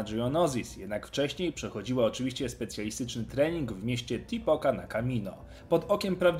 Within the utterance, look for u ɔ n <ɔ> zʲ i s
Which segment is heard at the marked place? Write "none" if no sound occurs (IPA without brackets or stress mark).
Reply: ɔ